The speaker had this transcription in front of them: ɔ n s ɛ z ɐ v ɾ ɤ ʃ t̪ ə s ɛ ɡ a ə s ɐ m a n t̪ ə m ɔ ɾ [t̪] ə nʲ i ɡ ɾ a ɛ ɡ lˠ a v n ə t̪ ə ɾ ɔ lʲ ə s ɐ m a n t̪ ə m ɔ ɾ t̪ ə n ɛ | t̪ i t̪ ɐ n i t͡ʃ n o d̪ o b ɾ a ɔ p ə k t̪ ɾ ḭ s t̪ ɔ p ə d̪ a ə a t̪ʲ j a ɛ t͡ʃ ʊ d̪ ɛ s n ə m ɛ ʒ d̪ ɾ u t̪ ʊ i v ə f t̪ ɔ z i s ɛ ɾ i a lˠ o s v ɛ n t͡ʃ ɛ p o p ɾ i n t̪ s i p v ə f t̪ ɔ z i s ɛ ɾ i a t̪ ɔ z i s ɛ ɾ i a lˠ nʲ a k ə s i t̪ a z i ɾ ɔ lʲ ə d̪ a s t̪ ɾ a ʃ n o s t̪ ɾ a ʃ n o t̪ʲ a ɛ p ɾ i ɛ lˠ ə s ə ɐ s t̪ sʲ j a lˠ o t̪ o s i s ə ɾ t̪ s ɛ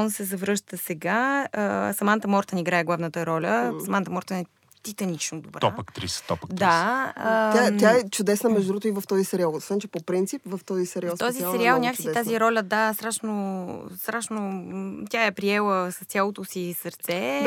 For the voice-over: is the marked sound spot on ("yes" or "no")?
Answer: yes